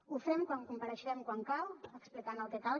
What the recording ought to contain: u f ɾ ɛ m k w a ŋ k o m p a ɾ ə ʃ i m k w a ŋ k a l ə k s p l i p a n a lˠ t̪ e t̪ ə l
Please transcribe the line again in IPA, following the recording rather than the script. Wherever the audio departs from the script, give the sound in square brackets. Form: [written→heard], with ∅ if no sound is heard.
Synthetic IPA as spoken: u f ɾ ɛ m k w a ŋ k [o→u] m p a ɾ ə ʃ [i→ɛ] m k w a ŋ k a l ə k s p l i [p→k] a n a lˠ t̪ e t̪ [ə→a] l